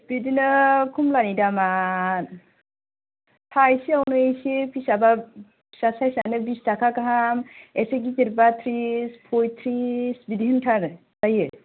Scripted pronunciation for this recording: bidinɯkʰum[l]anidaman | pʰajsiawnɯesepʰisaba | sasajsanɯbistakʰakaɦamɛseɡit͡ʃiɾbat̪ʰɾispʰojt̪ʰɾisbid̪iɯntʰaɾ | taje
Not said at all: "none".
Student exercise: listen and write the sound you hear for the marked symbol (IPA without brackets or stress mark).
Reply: l